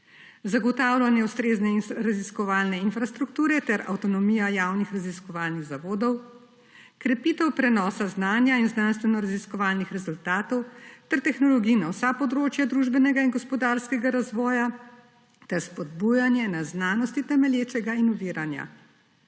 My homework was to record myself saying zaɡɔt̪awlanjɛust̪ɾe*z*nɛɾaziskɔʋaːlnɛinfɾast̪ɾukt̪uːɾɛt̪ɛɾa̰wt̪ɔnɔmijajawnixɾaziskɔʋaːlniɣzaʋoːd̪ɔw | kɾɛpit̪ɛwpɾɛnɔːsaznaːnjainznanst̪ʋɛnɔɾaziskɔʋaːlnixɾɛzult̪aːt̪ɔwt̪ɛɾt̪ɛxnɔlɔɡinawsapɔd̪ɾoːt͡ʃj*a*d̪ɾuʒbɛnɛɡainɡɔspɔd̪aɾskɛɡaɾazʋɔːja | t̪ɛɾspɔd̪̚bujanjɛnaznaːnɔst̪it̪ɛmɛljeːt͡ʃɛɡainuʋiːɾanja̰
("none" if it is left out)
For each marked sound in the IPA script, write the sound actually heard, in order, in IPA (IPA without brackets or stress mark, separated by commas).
z, a